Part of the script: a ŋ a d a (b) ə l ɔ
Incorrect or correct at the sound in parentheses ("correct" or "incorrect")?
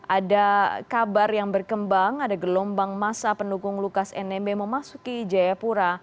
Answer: incorrect